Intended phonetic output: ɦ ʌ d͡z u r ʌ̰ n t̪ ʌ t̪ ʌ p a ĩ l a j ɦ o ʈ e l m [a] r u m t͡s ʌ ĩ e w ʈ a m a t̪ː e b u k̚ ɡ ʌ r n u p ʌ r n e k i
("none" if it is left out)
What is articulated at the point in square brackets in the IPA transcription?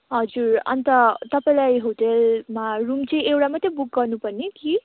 a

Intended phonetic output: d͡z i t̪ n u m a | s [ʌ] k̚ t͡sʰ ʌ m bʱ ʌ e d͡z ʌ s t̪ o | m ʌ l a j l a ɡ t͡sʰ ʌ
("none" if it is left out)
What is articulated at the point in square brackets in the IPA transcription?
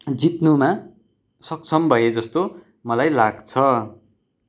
ʌ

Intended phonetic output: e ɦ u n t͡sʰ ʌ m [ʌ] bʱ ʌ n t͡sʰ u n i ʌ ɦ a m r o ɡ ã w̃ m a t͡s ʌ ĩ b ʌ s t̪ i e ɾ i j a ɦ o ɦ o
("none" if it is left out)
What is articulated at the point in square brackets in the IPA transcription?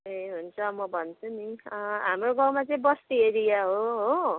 ʌ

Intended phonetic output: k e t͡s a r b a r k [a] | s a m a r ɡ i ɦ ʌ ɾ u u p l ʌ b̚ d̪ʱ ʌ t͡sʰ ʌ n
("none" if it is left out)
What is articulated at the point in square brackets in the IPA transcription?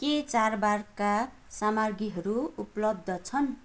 a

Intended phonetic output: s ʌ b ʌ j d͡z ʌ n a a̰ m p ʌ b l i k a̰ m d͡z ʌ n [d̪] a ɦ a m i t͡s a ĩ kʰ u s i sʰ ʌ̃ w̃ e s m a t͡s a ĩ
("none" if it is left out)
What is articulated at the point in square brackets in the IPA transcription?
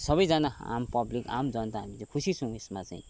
t̪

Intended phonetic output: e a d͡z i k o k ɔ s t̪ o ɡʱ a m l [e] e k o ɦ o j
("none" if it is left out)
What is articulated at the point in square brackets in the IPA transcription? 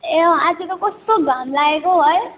a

